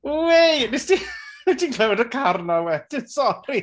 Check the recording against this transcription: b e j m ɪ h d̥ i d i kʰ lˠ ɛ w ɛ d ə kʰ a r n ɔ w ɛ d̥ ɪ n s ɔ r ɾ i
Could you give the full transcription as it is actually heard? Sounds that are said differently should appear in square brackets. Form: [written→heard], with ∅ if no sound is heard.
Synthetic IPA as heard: [b→w] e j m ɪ [h→s] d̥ i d i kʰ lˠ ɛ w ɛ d ə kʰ a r n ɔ w ɛ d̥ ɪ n s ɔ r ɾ i